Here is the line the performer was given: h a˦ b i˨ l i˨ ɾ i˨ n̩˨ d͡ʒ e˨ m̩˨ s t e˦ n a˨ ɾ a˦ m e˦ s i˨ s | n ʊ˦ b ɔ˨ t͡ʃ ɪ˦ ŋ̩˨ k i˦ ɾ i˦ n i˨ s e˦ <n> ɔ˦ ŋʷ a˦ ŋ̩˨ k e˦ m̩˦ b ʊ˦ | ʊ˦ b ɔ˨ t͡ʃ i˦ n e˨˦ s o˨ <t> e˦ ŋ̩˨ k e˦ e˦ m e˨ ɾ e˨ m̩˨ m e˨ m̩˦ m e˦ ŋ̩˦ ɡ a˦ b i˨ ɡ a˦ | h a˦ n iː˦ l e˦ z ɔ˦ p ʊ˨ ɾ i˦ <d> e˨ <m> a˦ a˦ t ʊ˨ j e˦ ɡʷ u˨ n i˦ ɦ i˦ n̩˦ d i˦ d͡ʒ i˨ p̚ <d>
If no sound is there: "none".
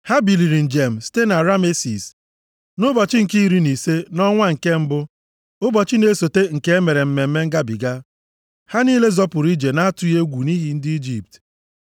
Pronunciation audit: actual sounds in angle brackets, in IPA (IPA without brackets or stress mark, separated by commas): n, t, d͡ʒ, n, t